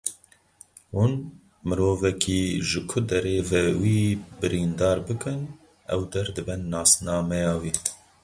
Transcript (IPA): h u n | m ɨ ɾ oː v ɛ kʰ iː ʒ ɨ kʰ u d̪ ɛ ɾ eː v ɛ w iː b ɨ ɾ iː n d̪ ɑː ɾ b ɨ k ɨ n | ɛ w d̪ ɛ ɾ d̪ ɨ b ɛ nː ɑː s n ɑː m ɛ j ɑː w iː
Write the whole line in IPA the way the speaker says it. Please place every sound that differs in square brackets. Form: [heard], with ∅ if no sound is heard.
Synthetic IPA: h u n | m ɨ ɾ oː v ɛ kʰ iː ʒ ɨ kʰ [ʊ] d̪ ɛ ɾ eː v ɛ w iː b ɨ ɾ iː n d̪ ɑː ɾ b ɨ k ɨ n | ɛ w d̪ ɛ ɾ d̪ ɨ b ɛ nː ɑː s n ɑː m ɛ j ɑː w iː

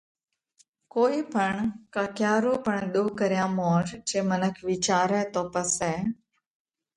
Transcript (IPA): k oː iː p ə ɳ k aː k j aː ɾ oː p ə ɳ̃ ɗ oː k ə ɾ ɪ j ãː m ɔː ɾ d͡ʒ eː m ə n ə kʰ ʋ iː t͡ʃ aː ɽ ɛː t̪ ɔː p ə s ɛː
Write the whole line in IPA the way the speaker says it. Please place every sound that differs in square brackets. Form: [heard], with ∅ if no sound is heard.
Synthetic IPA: k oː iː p ə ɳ k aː k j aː ɾ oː p ə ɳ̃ ɗ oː k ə ɾ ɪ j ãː m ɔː ɾ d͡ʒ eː m ə n ə kʰ ʋ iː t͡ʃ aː [ɾ] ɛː t̪ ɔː p ə s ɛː

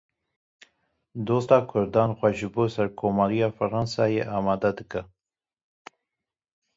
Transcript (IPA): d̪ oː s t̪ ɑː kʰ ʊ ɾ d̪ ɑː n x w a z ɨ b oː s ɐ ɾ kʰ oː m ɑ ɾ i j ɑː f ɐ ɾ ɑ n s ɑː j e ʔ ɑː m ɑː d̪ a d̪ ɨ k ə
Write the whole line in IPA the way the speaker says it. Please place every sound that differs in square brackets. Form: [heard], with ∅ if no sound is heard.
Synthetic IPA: d̪ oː s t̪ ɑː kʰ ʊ ɾ d̪ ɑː n x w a [ʒ] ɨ b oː s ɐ ɾ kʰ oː m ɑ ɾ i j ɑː f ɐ ɾ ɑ n s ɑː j e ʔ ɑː m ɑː d̪ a d̪ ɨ k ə

